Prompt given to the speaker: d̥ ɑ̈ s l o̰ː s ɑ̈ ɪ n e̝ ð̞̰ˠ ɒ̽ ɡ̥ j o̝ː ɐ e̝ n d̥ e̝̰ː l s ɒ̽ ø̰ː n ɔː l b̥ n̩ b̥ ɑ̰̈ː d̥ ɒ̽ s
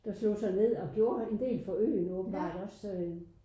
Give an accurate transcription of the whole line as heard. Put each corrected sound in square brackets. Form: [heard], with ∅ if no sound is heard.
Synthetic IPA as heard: d̥ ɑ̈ s l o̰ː s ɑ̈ ɪ n e̝ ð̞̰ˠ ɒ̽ ɡ̥ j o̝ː ɐ e̝ n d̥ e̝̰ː l [f] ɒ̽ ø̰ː n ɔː [∅] b̥ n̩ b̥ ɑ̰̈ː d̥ ɒ̽ s